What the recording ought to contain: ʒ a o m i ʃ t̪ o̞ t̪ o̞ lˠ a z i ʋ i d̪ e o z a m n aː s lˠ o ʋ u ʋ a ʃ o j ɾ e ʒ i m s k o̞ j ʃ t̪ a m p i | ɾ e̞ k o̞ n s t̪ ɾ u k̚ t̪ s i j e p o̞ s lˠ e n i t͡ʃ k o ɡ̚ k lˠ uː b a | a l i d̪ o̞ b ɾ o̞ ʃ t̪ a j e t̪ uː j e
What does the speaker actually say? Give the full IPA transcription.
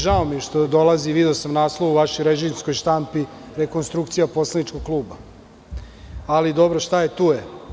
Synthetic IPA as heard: ʒ a o m i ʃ t̪ o̞ d̪ o̞ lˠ a z i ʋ i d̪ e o s a m n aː s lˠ o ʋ u ʋ a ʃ o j ɾ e ʒ i m s k o̞ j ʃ t̪ a m p i | ɾ e̞ k o̞ n s t̪ ɾ u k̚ t̪ s i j a p o̞ s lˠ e n i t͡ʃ k o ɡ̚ k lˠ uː b a | a l i d̪ o̞ b ɾ o̞ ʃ t̪ a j e t̪ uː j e